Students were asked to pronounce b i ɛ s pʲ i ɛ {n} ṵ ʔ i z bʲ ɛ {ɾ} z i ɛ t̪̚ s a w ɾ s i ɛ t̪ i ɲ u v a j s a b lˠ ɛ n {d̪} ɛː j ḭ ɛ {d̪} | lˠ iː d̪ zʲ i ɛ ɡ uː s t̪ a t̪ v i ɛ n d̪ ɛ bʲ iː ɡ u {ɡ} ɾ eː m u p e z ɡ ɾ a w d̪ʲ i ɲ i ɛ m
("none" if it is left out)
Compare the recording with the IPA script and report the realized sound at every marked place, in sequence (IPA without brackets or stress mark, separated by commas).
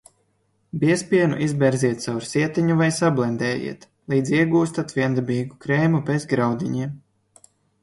n, ɾ, d̪, t̪, k